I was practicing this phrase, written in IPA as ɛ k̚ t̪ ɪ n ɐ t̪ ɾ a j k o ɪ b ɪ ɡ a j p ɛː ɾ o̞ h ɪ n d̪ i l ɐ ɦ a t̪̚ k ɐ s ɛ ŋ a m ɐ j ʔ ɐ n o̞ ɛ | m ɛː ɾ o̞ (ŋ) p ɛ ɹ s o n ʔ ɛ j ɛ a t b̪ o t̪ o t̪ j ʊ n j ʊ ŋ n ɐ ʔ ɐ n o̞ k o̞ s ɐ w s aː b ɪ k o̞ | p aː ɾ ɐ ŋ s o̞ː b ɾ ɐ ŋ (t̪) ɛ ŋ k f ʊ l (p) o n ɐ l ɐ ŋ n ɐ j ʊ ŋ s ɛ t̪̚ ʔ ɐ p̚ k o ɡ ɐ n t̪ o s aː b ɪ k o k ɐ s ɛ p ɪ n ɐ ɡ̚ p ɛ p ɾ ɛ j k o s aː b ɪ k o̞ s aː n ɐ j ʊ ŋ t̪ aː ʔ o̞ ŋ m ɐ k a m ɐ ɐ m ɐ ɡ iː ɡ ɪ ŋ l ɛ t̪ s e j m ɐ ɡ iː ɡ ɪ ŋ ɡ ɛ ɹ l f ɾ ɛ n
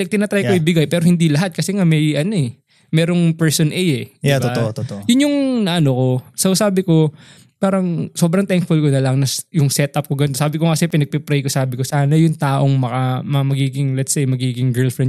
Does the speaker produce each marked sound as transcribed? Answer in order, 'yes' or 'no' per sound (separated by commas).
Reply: yes, yes, no